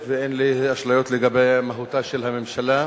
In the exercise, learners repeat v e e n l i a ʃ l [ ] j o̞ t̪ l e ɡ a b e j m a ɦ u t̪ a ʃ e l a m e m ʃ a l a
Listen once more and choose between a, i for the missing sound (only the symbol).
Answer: a